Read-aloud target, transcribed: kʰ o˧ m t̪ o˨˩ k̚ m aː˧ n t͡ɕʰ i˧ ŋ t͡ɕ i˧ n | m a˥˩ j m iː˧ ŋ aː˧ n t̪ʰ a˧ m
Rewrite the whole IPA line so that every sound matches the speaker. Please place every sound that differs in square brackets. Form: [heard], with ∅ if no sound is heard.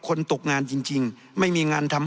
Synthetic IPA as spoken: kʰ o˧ [n] t̪ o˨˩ k̚ [ŋ] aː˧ n [t͡ɕ] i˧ ŋ t͡ɕ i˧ [ŋ] | m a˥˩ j m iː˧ ŋ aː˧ n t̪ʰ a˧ m